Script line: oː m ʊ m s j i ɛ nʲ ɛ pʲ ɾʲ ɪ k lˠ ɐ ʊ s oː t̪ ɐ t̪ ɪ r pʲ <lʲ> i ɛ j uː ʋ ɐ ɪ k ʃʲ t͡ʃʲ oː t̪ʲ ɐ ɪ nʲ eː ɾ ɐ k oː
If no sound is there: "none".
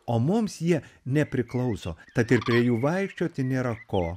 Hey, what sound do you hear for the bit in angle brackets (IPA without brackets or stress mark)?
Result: ɾʲ